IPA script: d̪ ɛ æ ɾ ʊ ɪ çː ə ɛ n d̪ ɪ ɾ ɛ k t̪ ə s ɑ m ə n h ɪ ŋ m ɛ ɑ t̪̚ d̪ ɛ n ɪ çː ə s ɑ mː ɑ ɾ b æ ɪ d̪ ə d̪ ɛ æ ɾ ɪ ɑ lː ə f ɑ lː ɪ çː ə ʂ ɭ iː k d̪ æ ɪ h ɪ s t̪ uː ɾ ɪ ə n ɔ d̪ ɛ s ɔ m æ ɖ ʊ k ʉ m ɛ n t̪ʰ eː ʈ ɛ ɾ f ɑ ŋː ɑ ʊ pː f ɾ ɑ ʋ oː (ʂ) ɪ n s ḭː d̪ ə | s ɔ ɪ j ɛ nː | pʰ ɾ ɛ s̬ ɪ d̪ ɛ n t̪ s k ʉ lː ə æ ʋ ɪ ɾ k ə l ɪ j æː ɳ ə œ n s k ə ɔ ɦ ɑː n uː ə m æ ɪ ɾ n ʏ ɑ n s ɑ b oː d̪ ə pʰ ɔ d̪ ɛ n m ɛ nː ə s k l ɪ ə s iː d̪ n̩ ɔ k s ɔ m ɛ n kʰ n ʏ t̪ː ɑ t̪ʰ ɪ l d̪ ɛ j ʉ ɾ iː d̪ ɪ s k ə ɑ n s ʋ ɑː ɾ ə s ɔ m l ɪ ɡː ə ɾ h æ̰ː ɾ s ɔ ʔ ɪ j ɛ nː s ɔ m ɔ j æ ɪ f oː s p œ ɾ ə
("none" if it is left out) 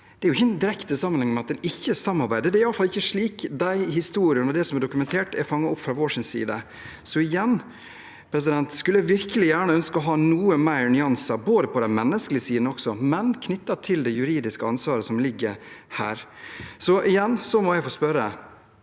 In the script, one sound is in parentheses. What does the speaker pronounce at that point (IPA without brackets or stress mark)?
ʂ